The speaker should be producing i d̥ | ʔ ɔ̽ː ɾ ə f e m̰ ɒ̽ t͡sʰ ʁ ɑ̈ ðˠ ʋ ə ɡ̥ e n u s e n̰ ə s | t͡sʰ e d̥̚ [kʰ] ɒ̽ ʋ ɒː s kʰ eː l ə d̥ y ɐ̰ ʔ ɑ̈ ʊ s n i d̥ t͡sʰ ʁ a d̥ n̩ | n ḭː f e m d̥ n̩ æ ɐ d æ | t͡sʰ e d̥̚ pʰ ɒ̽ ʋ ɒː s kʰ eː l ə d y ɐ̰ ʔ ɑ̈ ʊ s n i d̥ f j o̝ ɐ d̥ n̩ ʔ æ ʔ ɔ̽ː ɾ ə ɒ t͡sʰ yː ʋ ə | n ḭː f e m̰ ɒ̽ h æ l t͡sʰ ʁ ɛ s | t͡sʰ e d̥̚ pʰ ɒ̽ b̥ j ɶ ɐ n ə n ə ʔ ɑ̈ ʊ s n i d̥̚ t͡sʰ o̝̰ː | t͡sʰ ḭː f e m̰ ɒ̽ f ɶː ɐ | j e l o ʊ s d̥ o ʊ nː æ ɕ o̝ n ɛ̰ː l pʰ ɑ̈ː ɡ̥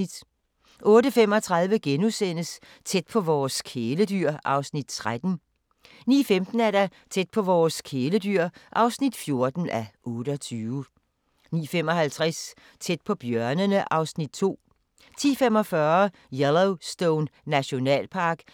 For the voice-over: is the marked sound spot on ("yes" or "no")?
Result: no